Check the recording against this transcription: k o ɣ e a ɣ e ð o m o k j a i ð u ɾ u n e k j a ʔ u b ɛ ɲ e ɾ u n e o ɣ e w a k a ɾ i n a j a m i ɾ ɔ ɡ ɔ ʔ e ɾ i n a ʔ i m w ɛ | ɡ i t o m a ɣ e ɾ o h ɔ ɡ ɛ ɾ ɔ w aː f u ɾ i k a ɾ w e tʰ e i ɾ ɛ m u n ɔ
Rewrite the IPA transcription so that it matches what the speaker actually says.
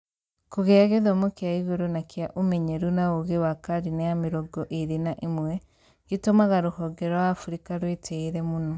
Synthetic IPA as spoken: k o ɣ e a ɣ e ð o m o k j a i ɣ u ɾ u n a k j a ʔ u m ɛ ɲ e ɾ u n a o ɣ e w a k a ɾ i n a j a m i ɾ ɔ ɡ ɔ ʔ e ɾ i n a ʔ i m w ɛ | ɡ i t o m a ɣ a ɾ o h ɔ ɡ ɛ ɾ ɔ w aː f u ɾ i k a ɾ w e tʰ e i ɾ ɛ m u n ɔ